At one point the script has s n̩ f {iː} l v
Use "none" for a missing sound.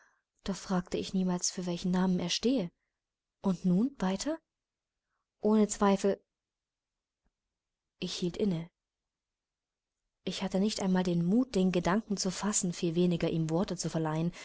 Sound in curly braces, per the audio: iː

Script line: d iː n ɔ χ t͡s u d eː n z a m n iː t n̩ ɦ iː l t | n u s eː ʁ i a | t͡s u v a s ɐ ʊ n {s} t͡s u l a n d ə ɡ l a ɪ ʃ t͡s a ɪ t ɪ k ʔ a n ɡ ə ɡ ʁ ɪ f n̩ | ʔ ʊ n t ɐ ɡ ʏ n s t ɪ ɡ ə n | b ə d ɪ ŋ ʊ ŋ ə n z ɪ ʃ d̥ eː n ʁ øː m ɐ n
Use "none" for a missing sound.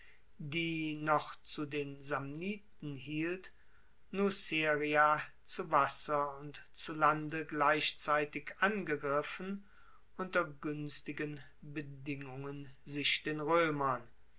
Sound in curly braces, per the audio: t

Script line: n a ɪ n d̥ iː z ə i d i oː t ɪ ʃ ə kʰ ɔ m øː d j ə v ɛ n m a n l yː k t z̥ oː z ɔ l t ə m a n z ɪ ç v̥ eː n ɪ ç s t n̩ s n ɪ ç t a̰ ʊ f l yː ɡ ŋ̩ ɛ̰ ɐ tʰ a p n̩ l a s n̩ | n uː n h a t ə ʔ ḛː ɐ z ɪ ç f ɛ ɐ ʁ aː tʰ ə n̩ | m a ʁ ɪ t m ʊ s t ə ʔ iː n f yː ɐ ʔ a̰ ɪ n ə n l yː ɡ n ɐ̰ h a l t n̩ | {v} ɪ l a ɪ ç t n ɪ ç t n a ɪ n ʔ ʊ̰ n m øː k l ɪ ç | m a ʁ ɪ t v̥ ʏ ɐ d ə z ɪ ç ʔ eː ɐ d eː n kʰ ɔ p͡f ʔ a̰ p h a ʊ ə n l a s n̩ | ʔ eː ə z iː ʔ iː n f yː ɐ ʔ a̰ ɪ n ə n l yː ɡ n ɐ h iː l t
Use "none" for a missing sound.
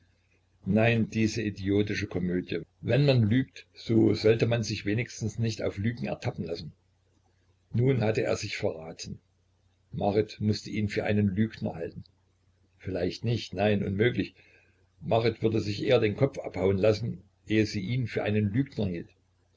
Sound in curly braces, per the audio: f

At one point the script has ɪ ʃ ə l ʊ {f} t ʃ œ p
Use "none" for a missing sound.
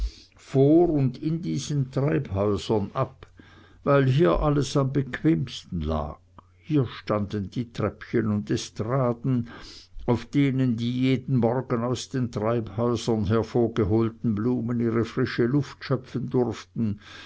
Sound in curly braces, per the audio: f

